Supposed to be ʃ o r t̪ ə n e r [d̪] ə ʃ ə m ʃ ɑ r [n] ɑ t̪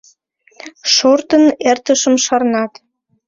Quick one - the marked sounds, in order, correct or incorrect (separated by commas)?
incorrect, correct